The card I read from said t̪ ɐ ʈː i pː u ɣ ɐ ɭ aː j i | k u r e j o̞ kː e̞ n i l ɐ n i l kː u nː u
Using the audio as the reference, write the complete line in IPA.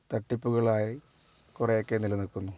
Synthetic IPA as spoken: t̪ ɐ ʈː i pː u ɣ ɐ ɭ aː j i | k u r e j o̞ kː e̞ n i l ɐ n i l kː u nː u